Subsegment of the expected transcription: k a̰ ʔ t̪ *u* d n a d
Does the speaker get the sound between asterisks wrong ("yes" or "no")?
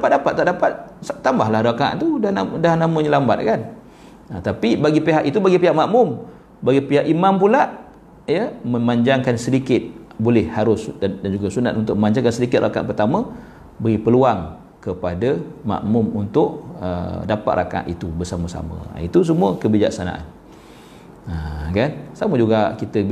no